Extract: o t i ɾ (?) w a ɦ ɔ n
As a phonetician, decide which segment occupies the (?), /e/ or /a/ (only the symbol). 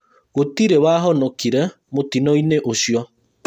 e